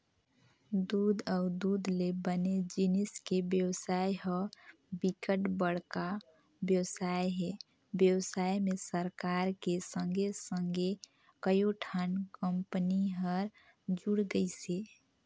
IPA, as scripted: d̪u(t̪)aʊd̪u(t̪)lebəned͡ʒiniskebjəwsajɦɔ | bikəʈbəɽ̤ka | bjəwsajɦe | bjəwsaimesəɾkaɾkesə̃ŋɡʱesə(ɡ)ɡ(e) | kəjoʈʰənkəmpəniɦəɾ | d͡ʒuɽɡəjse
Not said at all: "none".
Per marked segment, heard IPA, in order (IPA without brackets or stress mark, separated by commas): d̪, d̪, ŋ, e